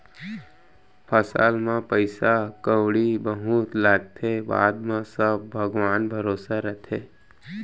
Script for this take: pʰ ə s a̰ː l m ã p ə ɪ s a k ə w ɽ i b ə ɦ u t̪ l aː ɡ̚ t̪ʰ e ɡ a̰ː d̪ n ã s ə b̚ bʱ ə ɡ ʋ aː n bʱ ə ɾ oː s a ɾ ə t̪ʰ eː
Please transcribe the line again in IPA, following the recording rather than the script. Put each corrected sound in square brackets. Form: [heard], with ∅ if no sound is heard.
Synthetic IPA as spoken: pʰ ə s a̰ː l m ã p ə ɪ s a k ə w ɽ i b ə ɦ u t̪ l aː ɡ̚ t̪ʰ e [b] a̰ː d̪ [m] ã s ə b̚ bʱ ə ɡ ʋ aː n bʱ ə ɾ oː s a ɾ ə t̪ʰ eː